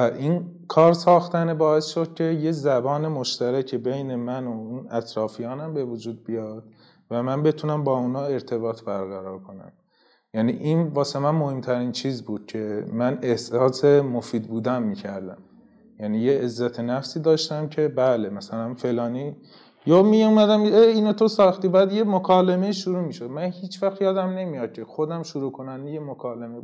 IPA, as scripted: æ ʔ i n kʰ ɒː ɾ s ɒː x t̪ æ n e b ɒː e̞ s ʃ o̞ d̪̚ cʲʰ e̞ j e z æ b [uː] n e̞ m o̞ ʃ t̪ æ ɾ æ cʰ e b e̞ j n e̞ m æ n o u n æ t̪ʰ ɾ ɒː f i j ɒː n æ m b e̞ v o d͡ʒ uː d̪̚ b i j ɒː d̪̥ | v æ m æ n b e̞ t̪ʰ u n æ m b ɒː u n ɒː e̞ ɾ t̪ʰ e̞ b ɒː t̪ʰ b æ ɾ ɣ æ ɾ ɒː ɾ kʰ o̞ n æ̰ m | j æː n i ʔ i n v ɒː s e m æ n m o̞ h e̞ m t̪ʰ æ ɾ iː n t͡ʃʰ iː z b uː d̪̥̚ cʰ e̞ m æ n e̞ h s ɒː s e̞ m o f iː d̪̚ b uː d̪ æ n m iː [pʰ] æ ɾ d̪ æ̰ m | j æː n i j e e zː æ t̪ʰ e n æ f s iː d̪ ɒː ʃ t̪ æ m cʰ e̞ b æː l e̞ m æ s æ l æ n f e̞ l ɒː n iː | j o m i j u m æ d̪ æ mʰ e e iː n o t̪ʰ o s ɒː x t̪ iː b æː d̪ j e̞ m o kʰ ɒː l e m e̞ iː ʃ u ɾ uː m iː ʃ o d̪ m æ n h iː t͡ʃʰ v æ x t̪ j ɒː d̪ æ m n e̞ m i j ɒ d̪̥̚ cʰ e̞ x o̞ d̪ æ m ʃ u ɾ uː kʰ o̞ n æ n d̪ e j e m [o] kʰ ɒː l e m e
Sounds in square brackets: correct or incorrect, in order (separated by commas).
incorrect, incorrect, correct